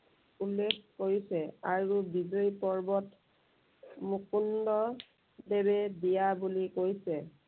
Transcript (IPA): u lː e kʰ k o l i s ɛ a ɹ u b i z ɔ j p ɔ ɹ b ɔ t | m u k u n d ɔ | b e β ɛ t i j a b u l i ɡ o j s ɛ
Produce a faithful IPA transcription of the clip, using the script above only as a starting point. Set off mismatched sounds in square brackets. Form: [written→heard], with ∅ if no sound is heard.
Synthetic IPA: u lː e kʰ k o [l→ɹ] i s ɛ a ɹ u b i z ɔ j p ɔ ɹ b ɔ t | m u k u n d ɔ | [b→d] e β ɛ [t→d] i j a b u l i [ɡ→k] o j s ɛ